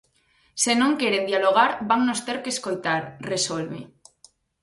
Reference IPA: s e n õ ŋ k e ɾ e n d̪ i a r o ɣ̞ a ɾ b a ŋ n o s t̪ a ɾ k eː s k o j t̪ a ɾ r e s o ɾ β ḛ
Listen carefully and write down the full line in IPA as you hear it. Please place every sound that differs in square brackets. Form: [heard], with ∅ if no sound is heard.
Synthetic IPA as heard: s e n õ ŋ k e ɾ e n d̪ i a [l] o ɣ̞ a ɾ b a ŋ n o s t̪ [e] ɾ k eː s k o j t̪ a ɾ r e s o [l] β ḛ